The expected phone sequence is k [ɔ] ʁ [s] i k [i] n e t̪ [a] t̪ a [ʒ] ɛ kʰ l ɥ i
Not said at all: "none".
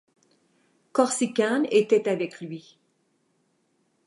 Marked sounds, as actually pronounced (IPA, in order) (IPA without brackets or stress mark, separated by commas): ɔ, s, a, ɛ, v